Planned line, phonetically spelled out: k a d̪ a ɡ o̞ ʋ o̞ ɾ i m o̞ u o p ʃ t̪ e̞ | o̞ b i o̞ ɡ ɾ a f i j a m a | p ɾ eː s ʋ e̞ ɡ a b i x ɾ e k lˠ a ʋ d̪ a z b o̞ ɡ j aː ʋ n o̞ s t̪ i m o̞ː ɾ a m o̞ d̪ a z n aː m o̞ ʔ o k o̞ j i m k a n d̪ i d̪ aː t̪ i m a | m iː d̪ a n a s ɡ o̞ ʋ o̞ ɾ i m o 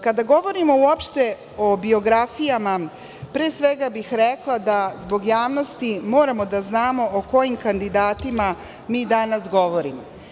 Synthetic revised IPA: k a d̪ a ɡ o̞ ʋ o̞ ɾ i m o̞ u o p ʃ t̪ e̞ | o̞ b i o̞ ɡ ɾ a f i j a m a | p ɾ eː s ʋ e̞ ɡ a b i x ɾ e k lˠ a d̪ a z b o̞ ɡ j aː ʋ n o̞ s t̪ i m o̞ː ɾ a m o̞ d̪ a z n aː m o̞ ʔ o k o̞ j i m k a n d̪ i d̪ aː t̪ i m a | m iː d̪ a n a s ɡ o̞ ʋ o̞ ɾ i m o